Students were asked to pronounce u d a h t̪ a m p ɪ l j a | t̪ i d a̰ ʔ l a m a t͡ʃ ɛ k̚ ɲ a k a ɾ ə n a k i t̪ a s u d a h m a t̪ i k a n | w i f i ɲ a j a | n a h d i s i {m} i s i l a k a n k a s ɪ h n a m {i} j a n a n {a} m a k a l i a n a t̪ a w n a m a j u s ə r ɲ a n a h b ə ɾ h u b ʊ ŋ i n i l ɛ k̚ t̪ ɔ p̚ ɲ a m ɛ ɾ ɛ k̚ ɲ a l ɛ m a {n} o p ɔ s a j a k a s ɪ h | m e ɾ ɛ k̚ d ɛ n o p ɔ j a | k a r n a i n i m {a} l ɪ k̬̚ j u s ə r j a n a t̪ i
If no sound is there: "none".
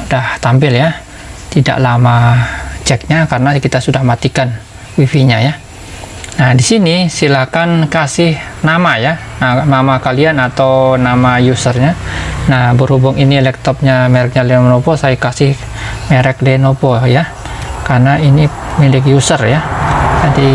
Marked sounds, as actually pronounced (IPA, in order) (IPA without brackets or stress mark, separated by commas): n, a, a, n, i